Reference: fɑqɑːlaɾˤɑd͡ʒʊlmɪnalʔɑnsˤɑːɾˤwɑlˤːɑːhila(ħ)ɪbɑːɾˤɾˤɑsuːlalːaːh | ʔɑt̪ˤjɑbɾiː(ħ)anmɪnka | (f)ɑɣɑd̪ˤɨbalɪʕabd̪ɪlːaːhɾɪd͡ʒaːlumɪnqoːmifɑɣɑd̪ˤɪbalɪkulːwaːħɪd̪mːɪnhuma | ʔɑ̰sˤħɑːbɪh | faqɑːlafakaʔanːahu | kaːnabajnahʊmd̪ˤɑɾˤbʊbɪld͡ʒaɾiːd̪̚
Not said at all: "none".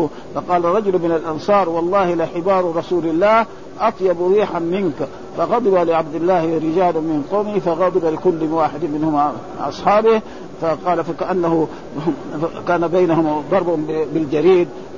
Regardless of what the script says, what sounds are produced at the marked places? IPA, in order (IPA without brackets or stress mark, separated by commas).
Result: ħ, ħ, f